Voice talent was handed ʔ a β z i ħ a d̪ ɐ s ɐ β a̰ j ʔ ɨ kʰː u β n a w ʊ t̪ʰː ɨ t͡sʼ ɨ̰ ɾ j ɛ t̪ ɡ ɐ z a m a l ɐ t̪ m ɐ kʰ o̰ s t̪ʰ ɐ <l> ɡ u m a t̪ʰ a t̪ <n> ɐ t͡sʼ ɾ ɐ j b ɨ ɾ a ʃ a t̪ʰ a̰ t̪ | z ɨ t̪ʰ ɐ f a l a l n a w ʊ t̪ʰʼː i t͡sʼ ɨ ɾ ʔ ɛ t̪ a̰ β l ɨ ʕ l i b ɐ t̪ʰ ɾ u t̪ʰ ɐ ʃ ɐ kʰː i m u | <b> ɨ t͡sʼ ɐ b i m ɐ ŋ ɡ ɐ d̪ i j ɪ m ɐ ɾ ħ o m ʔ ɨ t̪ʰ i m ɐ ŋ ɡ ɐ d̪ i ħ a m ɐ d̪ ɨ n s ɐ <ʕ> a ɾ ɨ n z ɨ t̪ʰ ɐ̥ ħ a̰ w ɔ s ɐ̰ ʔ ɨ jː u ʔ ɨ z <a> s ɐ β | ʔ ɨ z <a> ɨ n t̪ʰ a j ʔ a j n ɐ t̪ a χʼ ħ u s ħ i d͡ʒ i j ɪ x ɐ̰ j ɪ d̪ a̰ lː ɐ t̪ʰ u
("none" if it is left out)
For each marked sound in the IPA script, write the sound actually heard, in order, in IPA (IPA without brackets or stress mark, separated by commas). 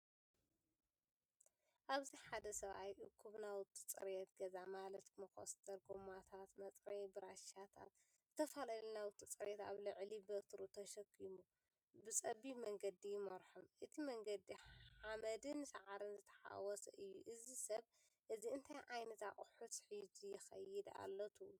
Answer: ɾ, m, b, ʕ, i, i